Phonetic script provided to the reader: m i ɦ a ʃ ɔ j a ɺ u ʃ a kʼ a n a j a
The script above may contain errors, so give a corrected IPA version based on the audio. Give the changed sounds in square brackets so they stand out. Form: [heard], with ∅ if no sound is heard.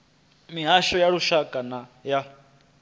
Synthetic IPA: m i ɦ a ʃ ɔ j a ɺ u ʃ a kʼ a n a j a